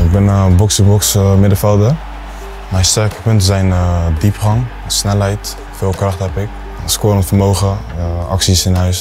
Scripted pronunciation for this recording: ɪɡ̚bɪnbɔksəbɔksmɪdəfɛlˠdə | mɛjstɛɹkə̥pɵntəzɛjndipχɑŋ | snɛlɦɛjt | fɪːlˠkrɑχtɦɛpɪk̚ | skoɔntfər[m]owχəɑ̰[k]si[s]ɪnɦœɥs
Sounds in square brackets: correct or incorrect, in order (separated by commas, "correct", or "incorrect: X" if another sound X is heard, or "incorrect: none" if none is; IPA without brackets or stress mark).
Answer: correct, correct, correct